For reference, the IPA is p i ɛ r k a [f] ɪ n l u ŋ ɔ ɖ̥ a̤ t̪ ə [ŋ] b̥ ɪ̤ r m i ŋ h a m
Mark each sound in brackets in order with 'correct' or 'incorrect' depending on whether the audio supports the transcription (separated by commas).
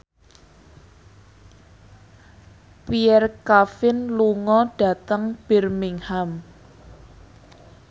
correct, correct